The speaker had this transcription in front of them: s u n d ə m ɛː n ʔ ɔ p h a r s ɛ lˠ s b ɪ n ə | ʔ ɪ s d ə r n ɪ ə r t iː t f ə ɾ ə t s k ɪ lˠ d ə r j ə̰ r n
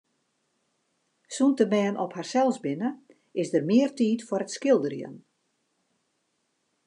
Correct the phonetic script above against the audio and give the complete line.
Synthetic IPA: s u n t ə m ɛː n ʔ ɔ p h a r s ɛ lˠ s b ɪ n ə | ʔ ɪ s d ə r m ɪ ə r t iː t f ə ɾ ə t s k ɪ lˠ d ə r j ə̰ n

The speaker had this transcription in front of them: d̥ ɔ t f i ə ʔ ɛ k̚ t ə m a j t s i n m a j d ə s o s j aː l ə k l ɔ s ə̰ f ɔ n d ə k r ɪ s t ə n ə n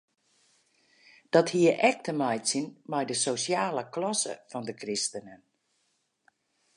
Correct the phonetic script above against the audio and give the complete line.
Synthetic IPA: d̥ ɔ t h i ə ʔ ɛ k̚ t ə m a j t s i n m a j d ə s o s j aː l ə k l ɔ s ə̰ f ɔ n d ə k r ɪ s t ə n ə n

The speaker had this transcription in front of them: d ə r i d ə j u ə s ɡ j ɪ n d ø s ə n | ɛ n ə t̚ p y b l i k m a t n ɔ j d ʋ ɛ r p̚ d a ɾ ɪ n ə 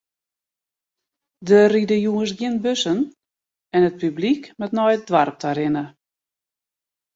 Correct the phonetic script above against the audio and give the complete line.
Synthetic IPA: d ə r i d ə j u ə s ɡ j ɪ n b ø s ə n | ɛ n ə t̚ p y b l i k m ɛ t n ɔ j d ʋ a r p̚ t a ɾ ɪ n ə

